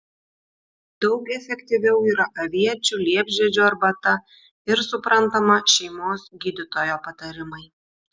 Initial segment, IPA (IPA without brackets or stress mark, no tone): d̪